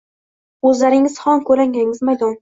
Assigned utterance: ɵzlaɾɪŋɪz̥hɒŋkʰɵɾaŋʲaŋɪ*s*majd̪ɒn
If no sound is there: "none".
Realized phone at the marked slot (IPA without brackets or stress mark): z